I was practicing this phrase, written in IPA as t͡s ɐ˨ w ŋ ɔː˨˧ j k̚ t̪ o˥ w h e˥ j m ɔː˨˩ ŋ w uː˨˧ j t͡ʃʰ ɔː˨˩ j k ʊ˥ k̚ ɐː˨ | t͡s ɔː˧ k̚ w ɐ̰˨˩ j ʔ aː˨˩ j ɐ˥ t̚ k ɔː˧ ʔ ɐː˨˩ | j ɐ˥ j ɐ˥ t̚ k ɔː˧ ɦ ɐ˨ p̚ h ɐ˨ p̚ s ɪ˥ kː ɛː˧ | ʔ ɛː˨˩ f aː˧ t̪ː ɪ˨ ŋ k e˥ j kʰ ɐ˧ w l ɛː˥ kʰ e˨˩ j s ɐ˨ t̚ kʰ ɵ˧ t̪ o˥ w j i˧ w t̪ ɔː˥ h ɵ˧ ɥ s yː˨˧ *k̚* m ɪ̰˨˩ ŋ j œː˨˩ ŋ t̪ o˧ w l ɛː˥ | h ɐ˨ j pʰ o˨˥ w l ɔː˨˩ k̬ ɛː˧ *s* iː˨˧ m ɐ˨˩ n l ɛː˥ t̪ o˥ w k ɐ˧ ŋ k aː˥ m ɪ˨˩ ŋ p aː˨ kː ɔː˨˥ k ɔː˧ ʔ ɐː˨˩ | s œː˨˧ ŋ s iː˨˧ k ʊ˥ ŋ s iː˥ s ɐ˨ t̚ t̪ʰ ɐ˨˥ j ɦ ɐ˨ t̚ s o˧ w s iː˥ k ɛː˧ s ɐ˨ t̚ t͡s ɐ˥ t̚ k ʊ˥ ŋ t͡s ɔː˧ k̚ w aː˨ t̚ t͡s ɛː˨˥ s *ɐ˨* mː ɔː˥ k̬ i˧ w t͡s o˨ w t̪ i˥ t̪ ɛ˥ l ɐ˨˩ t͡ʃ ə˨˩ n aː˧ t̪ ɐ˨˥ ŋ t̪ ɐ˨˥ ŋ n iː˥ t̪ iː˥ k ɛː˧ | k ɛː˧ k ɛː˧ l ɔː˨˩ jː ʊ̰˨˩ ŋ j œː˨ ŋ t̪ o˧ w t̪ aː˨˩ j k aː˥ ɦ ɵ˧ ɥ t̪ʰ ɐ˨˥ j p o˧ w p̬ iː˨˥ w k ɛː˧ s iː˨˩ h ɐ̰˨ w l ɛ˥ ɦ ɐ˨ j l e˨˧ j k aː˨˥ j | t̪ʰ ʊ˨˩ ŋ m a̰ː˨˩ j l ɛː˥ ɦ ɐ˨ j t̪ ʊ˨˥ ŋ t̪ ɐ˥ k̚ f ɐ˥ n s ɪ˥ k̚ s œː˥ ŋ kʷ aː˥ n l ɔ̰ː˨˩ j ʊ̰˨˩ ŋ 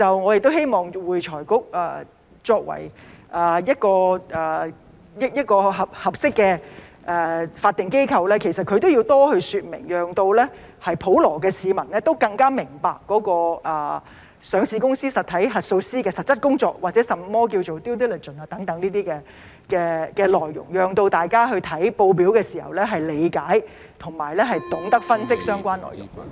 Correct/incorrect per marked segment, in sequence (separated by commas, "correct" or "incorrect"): incorrect, correct, correct